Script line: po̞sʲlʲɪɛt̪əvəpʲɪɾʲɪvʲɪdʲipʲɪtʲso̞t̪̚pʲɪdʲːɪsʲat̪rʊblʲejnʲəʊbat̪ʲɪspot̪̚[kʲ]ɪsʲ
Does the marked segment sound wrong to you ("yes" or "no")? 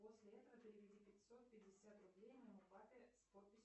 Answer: yes